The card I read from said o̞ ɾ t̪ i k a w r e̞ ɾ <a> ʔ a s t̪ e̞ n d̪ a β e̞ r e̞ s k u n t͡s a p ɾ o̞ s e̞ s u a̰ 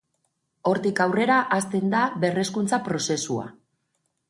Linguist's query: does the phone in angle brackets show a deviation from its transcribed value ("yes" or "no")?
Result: no